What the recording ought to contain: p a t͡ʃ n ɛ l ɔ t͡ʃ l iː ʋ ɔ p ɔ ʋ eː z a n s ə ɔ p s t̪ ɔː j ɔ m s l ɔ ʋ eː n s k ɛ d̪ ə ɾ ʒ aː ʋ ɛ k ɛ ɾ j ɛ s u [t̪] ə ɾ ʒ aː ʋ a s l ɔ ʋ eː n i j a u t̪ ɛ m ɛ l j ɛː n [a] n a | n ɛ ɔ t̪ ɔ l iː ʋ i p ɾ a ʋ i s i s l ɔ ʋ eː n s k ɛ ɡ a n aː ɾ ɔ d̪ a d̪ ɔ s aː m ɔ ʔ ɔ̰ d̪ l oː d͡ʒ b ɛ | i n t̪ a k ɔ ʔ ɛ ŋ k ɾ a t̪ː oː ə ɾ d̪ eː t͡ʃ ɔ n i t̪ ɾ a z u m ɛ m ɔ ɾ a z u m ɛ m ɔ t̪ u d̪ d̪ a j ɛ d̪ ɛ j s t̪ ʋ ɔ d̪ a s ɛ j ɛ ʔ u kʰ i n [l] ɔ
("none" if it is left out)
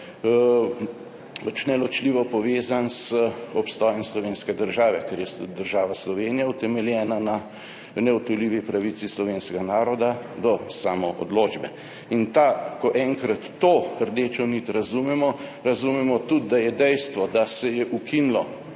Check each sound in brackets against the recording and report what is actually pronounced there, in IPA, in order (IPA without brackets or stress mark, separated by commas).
d̪, a, l